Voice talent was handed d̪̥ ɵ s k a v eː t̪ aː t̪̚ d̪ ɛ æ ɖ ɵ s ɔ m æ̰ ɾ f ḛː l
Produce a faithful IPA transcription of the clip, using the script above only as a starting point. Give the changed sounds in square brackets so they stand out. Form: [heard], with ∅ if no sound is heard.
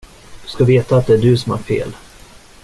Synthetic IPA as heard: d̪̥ ɵ s k a v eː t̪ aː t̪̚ d̪ ɛ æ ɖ ɵ s ɔ m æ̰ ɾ f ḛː l

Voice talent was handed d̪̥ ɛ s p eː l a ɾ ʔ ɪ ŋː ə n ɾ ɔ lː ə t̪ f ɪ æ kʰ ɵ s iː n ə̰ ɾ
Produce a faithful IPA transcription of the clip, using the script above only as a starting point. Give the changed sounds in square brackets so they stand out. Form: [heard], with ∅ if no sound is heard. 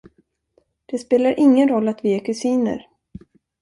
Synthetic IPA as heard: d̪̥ ɛ s p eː l a ɾ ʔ ɪ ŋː ə n ɾ ɔ lː [a] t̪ [v] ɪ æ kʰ ɵ s iː n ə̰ ɾ

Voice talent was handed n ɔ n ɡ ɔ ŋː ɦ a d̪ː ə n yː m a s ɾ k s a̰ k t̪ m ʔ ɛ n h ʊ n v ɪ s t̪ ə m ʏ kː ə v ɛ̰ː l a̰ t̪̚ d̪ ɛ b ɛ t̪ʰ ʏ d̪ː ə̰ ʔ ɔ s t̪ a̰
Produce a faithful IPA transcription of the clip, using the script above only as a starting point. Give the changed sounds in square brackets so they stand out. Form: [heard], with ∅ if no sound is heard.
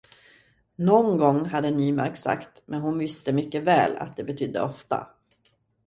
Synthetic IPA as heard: n ɔ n ɡ ɔ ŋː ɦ a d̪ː ə n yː m a [∅] ɾ k s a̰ k t̪ m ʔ ɛ n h ʊ n v ɪ s t̪ ə m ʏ kː ə v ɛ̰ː l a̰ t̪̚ d̪ ɛ b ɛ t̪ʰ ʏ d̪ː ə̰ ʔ ɔ [f] t̪ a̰

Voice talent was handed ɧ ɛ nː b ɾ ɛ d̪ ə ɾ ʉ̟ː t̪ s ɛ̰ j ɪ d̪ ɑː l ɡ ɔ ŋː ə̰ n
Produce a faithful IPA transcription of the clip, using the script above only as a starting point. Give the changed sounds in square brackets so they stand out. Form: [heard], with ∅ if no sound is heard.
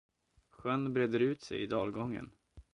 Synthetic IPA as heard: ɧ [œ] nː b ɾ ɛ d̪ ə ɾ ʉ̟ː t̪ s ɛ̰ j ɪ d̪ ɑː l ɡ ɔ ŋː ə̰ n

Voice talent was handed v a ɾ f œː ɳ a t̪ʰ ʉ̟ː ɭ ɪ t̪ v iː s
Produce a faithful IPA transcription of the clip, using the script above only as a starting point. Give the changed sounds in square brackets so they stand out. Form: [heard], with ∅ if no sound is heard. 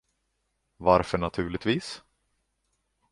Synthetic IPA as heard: v a ɾ f [œ] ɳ a t̪ʰ ʉ̟ː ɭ ɪ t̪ v iː s

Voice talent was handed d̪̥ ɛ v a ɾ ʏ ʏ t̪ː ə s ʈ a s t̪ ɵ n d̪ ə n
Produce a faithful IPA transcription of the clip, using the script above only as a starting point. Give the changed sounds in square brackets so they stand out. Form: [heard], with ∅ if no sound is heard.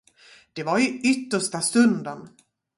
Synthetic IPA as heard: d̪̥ ɛ v a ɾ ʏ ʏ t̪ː ə [ʂ] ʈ a s t̪ ɵ n d̪ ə n

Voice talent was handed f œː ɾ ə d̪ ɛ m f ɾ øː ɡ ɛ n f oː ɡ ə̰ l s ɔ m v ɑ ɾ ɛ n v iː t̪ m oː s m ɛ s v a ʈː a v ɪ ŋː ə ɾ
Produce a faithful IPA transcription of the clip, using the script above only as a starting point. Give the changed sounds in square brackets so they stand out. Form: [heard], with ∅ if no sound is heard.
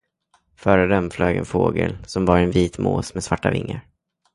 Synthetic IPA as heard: f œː ɾ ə d̪ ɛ m f [l] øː ɡ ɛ n f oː ɡ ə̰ l s ɔ m v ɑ ɾ ɛ n v iː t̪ m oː s m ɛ s v a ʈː a v ɪ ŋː ə ɾ

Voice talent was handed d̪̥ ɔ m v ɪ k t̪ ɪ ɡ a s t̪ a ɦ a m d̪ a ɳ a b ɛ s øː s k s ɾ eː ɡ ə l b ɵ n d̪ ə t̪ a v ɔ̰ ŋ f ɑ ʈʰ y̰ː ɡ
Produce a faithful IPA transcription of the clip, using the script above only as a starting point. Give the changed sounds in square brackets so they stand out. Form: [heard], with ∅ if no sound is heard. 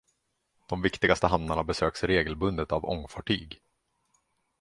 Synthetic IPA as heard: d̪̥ ɔ m v ɪ k t̪ ɪ ɡ a s t̪ [ə] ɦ a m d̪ a ɳ a b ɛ s øː [∅] k s ɾ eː ɡ ə l b ɵ n d̪ ə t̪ a v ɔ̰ ŋ f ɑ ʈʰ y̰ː ɡ

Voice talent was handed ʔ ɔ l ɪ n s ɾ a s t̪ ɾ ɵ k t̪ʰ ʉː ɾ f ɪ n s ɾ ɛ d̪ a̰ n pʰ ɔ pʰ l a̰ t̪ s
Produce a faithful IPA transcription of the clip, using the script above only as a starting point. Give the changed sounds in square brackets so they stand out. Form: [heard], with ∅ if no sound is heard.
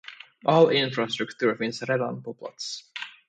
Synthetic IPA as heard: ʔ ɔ l ɪ n [f] ɾ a s t̪ ɾ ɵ k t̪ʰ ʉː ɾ f ɪ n s ɾ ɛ d̪ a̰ n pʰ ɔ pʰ l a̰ t̪ s

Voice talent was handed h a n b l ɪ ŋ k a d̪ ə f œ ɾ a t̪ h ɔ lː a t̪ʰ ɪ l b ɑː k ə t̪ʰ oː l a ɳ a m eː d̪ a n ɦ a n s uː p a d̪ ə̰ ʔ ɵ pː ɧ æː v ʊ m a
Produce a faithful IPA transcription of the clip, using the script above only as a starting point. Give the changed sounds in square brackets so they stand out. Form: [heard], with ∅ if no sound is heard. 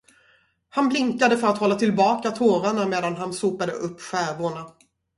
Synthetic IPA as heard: h a n b l ɪ ŋ k a d̪ ə f œ ɾ a t̪ h ɔ lː a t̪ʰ ɪ l b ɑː k [a] t̪ʰ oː [ɾ] a ɳ a m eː d̪ a n ɦ a n s uː p a d̪ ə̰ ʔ ɵ pː ɧ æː v ʊ [ɳ] a

